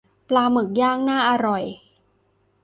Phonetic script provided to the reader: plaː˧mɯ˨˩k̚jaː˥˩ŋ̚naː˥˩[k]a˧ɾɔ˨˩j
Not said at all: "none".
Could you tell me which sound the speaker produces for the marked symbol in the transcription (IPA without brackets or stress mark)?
ʔ